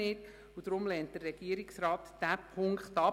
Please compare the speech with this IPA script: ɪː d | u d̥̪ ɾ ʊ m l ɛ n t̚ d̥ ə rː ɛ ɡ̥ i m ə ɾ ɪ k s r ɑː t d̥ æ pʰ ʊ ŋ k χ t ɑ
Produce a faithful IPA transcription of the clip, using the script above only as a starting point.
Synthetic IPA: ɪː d | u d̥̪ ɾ ʊ m l ɛ n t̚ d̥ ə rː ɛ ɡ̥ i ə ɾ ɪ k s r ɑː t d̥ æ pʰ ʊ ŋ k χ t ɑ